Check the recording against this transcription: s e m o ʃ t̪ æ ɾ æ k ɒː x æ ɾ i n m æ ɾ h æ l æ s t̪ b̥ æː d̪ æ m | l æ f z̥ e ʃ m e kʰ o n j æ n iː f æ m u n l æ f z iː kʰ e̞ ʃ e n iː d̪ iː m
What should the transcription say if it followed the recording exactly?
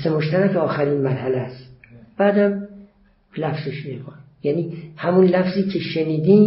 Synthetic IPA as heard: s e m o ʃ t̪ æ ɾ æ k ɒː x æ ɾ i n m æ ɾ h æ l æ s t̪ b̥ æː d̪ æ m | l æ f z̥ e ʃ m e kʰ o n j æ n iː h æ m u n l æ f z iː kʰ e̞ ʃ e n iː d̪ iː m